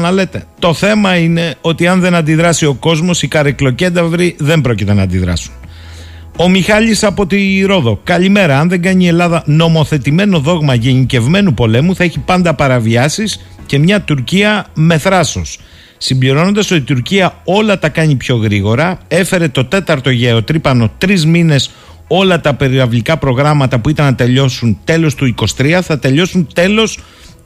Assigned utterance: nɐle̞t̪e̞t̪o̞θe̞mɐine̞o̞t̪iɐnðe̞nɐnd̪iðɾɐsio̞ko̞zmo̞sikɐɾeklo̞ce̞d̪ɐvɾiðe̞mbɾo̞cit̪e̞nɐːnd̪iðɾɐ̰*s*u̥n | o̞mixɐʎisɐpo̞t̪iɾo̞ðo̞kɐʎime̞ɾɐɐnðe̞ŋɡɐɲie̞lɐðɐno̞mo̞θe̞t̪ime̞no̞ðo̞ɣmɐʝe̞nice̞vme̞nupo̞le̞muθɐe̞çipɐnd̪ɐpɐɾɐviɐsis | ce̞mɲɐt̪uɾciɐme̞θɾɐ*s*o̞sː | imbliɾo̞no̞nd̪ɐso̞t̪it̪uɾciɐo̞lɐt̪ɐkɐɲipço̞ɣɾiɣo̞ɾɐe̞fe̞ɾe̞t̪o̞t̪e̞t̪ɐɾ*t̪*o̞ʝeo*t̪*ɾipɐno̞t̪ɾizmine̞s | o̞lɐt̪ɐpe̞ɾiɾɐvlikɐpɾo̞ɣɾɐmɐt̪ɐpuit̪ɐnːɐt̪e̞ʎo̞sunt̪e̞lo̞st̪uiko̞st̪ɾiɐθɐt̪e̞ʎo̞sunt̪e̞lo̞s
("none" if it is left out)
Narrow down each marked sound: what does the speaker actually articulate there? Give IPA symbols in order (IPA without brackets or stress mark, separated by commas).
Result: s, s, t̪, t̪